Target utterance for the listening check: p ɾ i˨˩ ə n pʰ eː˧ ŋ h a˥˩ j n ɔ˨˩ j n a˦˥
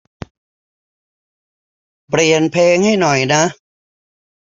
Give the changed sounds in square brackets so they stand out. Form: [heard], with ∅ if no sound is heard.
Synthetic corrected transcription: p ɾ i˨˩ ə n pʰ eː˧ ŋ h a˥˩ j n ɔ˨˩ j n a˦˥